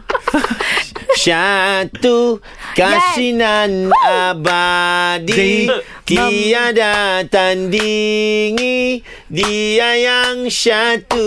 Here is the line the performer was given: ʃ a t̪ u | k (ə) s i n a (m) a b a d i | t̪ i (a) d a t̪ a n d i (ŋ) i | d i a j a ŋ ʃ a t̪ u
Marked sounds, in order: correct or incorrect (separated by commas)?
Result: incorrect, incorrect, correct, correct